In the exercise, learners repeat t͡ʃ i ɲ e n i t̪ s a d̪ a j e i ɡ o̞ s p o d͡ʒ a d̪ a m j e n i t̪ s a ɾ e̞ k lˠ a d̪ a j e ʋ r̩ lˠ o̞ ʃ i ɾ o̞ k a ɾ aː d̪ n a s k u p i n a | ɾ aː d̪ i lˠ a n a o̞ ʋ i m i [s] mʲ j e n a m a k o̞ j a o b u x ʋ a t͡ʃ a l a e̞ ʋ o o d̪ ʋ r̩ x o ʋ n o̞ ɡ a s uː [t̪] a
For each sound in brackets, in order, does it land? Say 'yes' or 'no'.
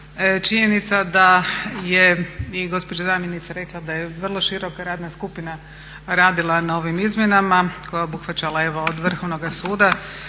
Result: no, no

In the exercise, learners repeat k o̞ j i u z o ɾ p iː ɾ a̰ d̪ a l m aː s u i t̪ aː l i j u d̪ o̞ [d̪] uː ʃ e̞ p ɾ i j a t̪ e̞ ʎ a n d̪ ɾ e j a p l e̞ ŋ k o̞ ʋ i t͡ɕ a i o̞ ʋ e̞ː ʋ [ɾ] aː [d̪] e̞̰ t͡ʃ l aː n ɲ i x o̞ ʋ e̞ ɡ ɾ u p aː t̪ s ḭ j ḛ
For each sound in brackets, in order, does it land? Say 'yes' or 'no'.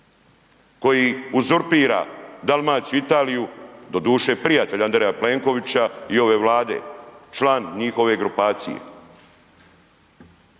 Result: yes, no, yes

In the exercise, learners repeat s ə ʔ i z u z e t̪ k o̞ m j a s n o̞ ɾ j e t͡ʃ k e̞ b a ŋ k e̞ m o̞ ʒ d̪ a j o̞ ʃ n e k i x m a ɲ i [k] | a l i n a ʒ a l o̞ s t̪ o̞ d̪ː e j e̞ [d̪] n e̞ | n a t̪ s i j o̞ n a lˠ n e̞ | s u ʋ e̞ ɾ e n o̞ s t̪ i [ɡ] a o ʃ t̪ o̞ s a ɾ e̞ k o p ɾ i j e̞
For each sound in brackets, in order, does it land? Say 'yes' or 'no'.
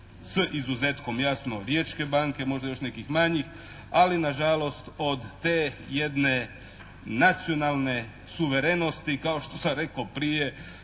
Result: no, yes, no

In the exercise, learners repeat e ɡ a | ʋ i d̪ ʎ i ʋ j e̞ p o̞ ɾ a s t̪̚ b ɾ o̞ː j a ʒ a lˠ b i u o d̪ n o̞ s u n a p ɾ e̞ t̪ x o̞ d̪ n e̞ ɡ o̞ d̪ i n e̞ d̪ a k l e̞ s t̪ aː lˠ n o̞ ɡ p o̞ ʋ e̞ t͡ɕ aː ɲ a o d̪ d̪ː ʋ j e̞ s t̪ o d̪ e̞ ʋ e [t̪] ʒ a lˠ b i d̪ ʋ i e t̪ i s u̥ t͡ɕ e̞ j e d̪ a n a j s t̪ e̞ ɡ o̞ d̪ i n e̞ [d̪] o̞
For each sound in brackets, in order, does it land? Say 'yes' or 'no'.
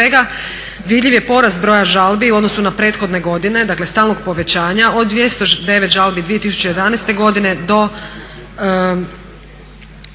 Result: yes, yes

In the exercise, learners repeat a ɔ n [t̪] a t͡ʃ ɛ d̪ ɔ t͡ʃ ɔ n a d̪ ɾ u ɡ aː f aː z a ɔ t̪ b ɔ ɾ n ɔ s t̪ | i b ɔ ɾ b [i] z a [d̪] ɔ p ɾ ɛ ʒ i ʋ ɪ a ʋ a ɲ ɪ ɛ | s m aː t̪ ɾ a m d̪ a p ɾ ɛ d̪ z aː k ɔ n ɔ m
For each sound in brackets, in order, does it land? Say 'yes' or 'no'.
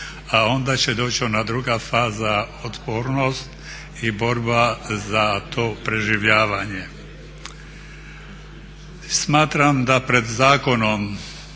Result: no, no, no

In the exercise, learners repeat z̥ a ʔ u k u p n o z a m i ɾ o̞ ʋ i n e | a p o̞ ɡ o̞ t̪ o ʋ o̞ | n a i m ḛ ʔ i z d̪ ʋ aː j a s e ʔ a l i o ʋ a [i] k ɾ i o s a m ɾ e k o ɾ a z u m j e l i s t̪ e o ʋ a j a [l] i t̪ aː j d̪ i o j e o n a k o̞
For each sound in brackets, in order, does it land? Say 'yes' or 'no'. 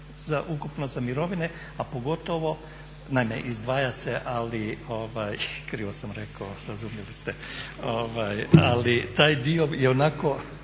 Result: no, yes

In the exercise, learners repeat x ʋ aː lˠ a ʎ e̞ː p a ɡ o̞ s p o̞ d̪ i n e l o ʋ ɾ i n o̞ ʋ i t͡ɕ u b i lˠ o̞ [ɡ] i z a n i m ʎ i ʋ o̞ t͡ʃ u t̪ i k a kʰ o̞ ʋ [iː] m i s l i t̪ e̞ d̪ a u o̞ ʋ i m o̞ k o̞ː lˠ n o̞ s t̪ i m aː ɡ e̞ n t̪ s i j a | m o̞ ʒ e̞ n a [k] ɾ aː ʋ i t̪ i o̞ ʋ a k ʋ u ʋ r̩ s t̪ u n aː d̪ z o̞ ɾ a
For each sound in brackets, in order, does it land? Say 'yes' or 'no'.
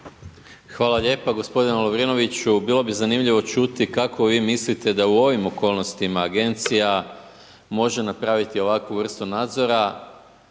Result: no, yes, no

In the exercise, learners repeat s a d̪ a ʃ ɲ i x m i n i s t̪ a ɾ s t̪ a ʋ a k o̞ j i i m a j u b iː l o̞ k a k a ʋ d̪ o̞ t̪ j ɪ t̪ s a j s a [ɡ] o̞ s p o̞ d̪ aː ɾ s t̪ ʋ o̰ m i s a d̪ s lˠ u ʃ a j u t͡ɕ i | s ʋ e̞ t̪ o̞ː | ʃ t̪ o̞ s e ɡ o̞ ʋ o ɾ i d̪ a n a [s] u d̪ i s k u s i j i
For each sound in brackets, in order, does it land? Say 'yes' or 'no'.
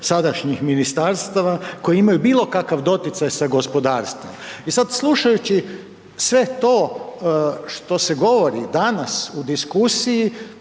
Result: yes, yes

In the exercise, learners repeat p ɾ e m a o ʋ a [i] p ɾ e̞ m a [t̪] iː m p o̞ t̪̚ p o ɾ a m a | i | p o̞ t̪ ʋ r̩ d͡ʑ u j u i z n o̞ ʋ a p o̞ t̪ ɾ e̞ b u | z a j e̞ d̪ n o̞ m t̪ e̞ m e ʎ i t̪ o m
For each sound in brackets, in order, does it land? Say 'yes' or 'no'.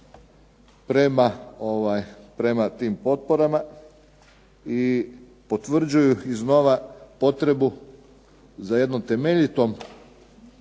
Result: no, yes

